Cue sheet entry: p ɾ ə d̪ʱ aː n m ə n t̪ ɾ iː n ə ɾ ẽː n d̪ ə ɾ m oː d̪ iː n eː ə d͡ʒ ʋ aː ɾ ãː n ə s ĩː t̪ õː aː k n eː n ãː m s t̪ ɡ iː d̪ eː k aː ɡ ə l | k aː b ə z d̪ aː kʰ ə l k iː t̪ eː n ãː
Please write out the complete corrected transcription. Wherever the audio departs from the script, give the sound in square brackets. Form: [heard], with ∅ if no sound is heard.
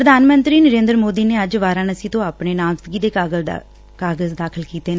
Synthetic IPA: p ɾ ə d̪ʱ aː n m ə n t̪ ɾ iː n ə ɾ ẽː n d̪ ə ɾ m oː d̪ iː n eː ə d͡ʒ ʋ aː ɾ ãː n ə s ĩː t̪ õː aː [p] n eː n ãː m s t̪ ɡ iː d̪ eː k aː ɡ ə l | k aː [ɡ] ə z d̪ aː kʰ ə l k iː t̪ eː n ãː

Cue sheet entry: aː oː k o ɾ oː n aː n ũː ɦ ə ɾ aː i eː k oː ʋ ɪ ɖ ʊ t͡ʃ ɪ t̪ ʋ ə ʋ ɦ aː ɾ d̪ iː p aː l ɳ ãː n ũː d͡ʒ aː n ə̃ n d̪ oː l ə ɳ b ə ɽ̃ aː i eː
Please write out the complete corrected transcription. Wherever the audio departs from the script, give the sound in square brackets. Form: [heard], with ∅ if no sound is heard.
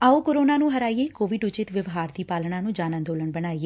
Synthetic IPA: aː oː k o ɾ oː n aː n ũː ɦ ə ɾ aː i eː k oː ʋ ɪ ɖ ʊ t͡ʃ ɪ t̪ ʋ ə ʋ ɦ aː ɾ d̪ iː p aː l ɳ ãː n ũː d͡ʒ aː n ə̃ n d̪ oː l ə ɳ b ə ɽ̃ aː i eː

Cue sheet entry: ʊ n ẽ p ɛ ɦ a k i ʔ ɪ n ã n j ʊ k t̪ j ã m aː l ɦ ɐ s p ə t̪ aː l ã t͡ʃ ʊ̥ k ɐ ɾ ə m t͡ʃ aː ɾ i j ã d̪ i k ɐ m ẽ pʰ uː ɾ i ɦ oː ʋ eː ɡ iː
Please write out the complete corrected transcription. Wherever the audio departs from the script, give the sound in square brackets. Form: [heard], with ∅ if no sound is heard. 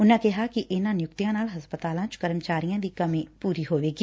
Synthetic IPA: ʊ n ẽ [k] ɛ ɦ a k i ʔ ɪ n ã n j ʊ k t̪ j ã [n] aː l ɦ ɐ s p ə t̪ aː l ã t͡ʃ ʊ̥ k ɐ ɾ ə m t͡ʃ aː ɾ i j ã d̪ i k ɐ m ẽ [p] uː ɾ i ɦ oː ʋ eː ɡ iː

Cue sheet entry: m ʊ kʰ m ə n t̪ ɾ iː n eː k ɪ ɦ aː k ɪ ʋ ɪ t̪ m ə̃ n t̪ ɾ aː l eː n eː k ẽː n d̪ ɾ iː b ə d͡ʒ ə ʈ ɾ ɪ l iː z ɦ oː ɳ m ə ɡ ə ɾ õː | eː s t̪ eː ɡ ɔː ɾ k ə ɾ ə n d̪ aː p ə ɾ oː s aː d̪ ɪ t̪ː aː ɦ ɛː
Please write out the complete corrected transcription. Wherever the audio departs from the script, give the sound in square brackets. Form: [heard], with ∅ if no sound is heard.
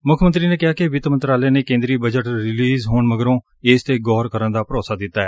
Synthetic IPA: m ʊ kʰ m ə n t̪ ɾ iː n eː k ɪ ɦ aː k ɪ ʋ ɪ t̪ m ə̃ n t̪ ɾ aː l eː n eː k ẽː n d̪ ɾ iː b ə d͡ʒ ə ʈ ɾ ɪ l iː z ɦ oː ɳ m ə ɡ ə ɾ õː | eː s t̪ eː ɡ ɔː ɾ k ə ɾ ə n d̪ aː p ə ɾ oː s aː d̪ ɪ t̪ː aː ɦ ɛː

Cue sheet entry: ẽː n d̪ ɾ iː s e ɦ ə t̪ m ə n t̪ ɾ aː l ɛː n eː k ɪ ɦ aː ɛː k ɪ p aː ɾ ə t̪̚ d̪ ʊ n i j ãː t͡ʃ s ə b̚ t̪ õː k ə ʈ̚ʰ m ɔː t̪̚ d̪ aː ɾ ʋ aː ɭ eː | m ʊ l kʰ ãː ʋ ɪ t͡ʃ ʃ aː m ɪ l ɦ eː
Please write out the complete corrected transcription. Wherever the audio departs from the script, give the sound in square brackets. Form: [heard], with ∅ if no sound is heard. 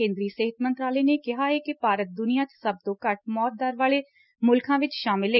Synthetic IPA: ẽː n d̪ ɾ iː s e ɦ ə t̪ m ə n t̪ ɾ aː l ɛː n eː k ɪ ɦ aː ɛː k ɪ p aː ɾ ə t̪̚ d̪ ʊ n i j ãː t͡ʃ s ə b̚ t̪ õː k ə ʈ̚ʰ m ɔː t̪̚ d̪ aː ɾ ʋ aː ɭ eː | m ʊ l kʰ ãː ʋ ɪ t͡ʃ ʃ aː m ɪ l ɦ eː

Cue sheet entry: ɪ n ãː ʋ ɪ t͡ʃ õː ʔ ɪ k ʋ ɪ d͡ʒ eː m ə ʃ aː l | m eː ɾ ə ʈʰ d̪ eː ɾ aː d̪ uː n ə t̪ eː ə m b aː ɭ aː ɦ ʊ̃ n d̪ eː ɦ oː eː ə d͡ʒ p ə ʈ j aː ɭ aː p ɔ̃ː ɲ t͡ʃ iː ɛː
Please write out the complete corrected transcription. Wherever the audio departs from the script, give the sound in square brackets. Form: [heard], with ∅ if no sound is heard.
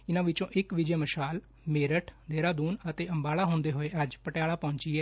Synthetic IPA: ɪ n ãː ʋ ɪ t͡ʃ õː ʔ ɪ k ʋ ɪ d͡ʒ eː m ə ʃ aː l | m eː ɾ ə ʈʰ d̪ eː ɾ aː d̪ uː n ə t̪ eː ə m b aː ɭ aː ɦ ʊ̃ n d̪ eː ɦ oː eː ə d͡ʒ p ə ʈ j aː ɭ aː p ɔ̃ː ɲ t͡ʃ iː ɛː

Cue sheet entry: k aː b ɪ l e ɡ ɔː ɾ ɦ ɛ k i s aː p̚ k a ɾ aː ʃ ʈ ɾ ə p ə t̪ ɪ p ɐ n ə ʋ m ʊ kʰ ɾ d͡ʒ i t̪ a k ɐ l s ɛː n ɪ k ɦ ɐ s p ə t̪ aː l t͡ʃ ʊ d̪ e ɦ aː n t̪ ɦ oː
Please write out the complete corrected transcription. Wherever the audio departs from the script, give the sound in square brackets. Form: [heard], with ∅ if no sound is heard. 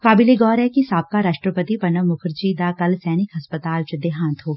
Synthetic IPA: k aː b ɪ l e ɡ ɔː ɾ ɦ ɛ k i s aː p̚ k a ɾ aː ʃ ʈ ɾ ə p ə t̪ [i] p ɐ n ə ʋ m ʊ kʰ ɾ d͡ʒ i [d̪] a k ɐ l s ɛː n ɪ k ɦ ɐ s p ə t̪ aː l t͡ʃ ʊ d̪ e ɦ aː n t̪ ɦ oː

